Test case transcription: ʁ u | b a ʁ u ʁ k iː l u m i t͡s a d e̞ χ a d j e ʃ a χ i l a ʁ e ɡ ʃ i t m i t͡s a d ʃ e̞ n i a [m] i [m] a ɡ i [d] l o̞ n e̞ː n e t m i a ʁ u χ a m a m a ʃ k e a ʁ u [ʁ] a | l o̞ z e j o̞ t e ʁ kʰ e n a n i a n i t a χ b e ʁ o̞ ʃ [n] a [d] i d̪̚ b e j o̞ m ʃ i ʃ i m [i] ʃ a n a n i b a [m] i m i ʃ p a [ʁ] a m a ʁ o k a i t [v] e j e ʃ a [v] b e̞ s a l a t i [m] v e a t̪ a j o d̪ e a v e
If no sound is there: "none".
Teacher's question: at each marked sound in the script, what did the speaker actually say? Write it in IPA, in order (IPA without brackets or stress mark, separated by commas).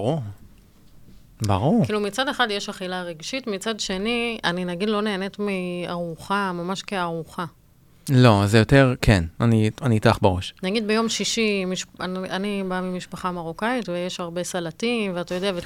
n, n, d, χ, n, ɡ, i, m, χ, v, ʁ, m